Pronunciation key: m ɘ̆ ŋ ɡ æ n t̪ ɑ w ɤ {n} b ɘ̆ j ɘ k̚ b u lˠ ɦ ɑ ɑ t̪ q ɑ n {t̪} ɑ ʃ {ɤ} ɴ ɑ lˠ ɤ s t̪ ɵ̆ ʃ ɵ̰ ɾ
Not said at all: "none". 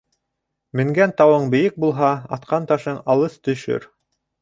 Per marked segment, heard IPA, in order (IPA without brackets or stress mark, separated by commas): ɴ, t̪, ɤ